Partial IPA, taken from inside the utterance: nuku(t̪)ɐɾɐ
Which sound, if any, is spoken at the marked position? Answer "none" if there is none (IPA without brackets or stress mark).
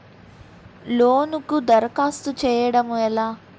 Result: d̪